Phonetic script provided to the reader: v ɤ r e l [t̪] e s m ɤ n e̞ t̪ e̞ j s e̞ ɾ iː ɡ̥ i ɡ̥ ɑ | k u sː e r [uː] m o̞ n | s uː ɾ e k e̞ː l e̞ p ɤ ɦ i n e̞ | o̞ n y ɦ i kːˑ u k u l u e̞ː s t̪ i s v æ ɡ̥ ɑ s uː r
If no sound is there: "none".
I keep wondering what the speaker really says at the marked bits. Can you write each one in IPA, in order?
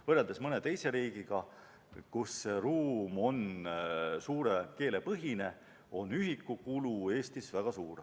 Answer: d̪, uː

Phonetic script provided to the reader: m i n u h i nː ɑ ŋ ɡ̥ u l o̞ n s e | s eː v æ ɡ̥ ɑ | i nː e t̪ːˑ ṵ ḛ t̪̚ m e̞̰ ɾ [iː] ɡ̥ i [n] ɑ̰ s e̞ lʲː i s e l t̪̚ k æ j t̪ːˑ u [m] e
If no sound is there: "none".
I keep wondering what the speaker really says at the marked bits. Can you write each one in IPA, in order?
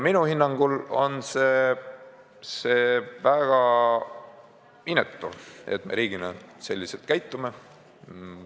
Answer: iː, n, m

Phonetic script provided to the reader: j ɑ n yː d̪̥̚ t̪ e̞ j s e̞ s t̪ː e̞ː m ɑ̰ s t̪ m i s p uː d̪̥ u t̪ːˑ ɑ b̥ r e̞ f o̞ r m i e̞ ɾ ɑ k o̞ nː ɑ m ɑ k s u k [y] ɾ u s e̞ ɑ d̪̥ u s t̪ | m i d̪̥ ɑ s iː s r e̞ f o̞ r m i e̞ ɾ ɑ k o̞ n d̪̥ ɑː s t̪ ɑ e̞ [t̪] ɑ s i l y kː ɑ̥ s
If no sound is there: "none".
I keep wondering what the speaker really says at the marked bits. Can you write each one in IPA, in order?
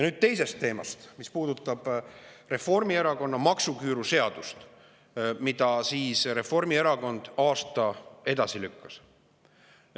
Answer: yː, d̪

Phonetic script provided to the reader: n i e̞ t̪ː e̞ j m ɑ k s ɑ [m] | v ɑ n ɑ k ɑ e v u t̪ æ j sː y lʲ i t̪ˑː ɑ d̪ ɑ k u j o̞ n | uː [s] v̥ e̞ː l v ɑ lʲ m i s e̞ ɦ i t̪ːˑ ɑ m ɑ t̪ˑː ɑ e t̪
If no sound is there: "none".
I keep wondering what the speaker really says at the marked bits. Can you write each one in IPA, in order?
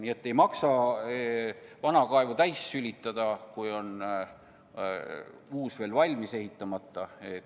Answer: none, s

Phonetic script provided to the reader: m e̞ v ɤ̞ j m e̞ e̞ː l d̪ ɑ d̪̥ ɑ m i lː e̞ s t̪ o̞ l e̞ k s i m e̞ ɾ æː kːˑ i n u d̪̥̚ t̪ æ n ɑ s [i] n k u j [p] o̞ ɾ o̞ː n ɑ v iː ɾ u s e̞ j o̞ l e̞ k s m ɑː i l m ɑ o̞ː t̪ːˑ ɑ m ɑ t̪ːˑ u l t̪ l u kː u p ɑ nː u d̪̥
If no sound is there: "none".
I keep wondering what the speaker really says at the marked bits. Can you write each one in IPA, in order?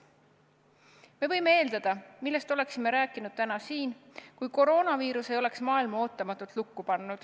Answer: iː, k

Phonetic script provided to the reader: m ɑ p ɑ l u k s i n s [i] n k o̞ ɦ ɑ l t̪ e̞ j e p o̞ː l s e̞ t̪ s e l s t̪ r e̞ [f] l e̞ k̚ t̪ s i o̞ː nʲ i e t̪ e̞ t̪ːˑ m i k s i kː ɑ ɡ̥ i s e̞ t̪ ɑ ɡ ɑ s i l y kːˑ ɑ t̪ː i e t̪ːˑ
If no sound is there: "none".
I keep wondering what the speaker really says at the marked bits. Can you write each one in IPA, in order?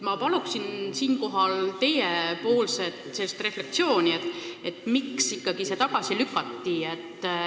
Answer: iː, f

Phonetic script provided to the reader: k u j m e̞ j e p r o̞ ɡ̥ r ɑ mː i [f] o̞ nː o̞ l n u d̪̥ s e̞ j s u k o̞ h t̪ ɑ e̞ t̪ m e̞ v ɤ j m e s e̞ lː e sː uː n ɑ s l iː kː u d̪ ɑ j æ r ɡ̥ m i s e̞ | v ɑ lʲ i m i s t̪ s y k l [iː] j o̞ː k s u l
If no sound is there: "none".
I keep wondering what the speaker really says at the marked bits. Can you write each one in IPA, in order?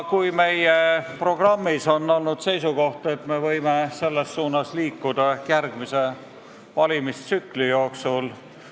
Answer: s, i

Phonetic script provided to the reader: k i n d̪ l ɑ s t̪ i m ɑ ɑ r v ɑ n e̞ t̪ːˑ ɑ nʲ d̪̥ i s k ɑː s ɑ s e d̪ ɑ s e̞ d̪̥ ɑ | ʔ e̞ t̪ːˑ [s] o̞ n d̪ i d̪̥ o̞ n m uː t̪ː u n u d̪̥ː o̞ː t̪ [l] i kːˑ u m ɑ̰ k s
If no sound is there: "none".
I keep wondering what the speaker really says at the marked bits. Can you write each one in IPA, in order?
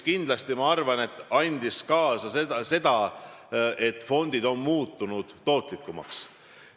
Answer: f, l

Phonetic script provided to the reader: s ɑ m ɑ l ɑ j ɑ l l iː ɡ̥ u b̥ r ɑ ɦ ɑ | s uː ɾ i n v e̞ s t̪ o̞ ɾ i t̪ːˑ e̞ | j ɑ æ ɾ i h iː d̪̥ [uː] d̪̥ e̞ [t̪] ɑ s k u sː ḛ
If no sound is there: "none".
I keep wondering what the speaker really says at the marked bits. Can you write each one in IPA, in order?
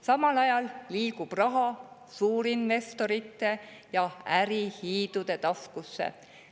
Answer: u, t̪

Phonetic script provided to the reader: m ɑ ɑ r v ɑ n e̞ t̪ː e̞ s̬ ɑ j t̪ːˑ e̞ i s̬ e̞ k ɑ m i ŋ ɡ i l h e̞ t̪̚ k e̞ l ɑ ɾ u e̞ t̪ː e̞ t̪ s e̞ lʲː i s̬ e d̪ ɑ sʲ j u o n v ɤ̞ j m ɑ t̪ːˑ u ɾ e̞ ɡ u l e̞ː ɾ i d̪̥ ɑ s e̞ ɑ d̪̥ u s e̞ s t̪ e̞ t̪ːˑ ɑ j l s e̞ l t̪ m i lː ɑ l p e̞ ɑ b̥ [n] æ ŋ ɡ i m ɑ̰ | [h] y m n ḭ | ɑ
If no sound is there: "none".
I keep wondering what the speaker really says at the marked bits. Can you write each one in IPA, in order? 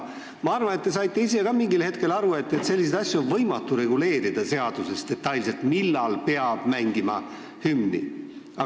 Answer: m, h

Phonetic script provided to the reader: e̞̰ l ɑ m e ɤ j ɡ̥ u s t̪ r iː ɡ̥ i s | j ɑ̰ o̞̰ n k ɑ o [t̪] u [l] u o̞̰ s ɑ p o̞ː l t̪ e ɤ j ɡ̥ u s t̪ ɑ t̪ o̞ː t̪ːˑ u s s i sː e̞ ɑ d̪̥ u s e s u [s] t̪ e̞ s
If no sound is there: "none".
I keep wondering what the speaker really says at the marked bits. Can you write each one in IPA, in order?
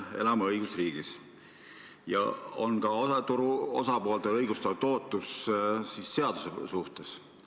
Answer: t̪, ɾ, h

